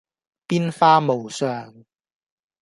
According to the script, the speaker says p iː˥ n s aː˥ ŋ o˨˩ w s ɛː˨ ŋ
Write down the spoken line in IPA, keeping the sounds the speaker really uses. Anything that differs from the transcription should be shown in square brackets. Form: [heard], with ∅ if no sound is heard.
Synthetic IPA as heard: p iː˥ n [f] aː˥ [m] o˨˩ w s [œː˨] ŋ